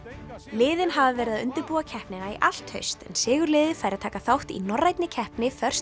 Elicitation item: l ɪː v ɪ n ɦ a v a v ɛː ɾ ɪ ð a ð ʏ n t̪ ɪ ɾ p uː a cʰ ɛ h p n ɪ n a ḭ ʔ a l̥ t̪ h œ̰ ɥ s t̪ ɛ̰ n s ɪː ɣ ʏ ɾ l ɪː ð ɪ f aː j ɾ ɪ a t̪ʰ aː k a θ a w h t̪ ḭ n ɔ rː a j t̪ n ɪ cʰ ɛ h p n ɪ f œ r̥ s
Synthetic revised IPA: l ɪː ð ɪ n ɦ a v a v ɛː ɾ ɪ ð a ð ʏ n t̪ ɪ ɾ p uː a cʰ ɛ h p n ɪ n a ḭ ʔ a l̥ t̪ h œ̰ ɥ s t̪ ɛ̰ n s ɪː ɣ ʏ ɾ l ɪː ð ɪ f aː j ɾ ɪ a t̪ʰ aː k a θ a w h t̪ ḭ n ɔ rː a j t̪ n ɪ cʰ ɛ h p n ɪ f œ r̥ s